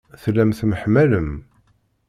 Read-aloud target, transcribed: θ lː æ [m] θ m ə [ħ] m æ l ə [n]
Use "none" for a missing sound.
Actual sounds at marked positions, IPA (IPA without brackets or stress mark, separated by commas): m, ħ, m